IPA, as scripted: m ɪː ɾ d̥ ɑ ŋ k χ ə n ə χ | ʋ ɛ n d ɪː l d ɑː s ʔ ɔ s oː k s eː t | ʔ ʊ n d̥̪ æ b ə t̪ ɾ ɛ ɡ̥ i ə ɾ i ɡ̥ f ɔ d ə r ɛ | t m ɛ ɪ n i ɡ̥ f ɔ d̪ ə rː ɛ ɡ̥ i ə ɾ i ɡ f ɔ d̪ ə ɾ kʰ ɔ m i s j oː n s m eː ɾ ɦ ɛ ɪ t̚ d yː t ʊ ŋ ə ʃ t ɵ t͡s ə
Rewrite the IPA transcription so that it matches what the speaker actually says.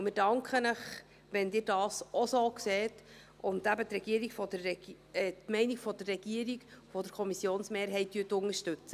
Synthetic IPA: m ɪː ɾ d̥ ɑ ŋ k χ ə n ə χ | ʋ ɛ n d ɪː ɾ d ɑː s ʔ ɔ s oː k s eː t | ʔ ʊ n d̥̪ æ b ə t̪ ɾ ɛ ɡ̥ i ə ɾ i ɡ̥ f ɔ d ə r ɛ | t m ɛ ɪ n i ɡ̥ f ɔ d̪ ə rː ɛ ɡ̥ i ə ɾ i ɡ f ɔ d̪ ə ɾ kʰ ɔ m i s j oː n s m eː ɾ ɦ ɛ ɪ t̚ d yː t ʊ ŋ ə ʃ t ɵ t͡s ə